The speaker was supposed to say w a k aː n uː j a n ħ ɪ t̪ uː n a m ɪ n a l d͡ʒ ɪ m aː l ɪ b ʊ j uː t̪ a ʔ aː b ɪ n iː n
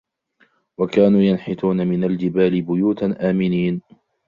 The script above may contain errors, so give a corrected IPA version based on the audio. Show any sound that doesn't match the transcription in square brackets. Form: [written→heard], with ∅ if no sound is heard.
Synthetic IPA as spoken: w a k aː n uː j a n ħ ɪ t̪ uː n a m ɪ n a l d͡ʒ ɪ [m→b] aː l ɪ b ʊ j uː t̪ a ʔ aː [b→m] ɪ n iː n

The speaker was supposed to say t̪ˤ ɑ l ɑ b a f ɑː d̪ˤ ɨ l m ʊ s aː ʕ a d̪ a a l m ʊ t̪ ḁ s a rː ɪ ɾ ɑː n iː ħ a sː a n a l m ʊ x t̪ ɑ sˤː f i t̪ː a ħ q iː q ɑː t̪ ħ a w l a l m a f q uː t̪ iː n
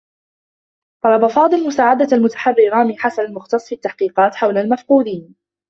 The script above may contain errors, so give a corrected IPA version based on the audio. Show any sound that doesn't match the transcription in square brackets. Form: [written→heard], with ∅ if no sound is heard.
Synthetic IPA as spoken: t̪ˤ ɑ l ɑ b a f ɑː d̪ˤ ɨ l m ʊ s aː ʕ a d̪ a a l m ʊ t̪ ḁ [s→ħ] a rː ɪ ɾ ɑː [n→m] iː ħ a [sː→s] a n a l m ʊ x t̪ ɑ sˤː f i t̪ː a ħ q iː q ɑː t̪ ħ a w l a l m a f q uː [t̪→d̪] iː n

